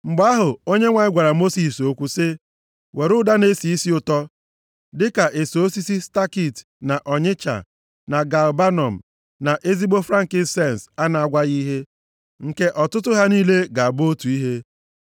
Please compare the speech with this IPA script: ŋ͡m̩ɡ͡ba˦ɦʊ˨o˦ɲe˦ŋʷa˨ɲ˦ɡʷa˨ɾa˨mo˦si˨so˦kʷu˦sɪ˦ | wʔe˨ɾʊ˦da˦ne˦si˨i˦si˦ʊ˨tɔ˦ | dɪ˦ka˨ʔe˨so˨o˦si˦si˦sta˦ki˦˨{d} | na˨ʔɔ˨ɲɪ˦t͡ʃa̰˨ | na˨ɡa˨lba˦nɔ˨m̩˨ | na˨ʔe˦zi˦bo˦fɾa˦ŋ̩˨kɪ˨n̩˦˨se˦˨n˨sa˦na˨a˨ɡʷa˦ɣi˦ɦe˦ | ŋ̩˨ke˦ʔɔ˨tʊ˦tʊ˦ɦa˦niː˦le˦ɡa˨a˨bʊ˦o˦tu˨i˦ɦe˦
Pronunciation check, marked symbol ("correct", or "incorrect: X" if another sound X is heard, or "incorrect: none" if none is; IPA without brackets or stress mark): incorrect: t